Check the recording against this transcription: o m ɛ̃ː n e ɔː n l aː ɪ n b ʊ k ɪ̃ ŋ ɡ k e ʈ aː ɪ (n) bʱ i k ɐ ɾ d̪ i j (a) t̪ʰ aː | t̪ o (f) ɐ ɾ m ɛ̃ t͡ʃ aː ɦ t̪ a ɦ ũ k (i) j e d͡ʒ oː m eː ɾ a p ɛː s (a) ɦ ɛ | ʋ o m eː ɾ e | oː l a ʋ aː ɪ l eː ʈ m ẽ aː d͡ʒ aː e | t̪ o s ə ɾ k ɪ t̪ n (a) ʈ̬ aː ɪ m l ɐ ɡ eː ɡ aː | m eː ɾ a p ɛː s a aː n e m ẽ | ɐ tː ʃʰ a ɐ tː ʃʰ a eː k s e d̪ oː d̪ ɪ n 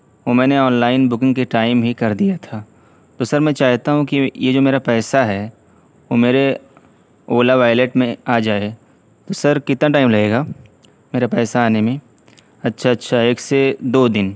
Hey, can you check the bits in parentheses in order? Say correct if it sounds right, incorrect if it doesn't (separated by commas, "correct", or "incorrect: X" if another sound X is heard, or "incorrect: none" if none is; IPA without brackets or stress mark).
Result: incorrect: m, correct, incorrect: s, correct, correct, correct